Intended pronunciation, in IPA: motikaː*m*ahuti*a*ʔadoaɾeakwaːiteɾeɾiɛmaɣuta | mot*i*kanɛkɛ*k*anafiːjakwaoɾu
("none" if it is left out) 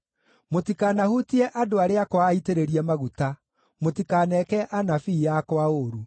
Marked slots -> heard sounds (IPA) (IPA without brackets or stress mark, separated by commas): n, ɛ, i, ʔ